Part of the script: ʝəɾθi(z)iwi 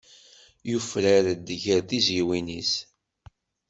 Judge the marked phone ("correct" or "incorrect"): correct